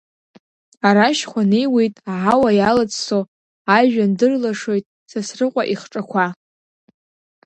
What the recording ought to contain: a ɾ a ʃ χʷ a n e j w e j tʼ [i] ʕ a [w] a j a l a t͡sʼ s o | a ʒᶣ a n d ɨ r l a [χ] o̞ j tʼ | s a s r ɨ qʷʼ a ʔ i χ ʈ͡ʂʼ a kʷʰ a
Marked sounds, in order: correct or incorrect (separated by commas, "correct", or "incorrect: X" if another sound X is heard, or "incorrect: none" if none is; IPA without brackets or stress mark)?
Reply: incorrect: a, correct, incorrect: ʂ